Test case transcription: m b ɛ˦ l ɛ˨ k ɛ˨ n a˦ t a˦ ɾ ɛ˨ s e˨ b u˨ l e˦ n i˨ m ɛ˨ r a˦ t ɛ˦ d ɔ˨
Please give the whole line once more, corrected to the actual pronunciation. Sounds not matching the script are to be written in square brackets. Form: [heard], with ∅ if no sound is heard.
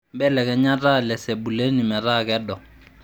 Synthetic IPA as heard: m b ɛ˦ l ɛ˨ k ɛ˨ [ɲ] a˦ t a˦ [l] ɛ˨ s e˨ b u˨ l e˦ n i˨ m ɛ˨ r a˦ [k] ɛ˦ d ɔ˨